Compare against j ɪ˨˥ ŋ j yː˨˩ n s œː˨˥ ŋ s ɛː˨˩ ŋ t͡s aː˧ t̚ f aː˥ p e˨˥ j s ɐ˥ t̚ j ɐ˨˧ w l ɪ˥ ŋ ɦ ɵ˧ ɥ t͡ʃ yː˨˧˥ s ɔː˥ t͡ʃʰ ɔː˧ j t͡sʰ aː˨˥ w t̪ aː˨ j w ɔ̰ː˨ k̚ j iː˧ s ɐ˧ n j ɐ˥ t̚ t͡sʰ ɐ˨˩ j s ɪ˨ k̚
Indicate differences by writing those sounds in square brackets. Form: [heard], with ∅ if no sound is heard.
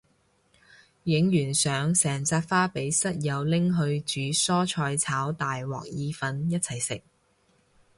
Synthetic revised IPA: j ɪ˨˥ ŋ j yː˨˩ n s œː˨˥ ŋ s ɛː˨˩ ŋ t͡s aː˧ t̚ f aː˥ p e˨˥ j s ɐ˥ t̚ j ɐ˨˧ w l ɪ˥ ŋ ɦ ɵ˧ ɥ t͡ʃ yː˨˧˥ s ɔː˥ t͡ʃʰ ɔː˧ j t͡sʰ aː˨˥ w t̪ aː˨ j w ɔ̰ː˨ k̚ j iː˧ [f] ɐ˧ n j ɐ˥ t̚ t͡sʰ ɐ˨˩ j s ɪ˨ k̚